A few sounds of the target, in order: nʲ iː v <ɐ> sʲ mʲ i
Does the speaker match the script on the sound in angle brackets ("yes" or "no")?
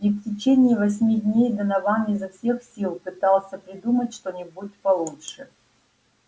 yes